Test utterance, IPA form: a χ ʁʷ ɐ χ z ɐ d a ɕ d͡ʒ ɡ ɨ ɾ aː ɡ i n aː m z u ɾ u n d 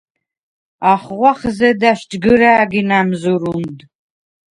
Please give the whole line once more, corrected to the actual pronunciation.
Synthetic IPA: a χ ʁʷ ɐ χ z ɐ d a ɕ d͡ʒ ɡ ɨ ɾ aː ɡ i n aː m z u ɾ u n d